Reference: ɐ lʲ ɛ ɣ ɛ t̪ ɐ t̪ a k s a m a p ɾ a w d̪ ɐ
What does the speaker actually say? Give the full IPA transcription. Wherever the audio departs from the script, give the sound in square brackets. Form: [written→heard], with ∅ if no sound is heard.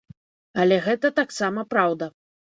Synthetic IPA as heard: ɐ lʲ ɛ ɣ ɛ t̪ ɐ t̪ a k s a m [a→ɐ] p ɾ a w d̪ ɐ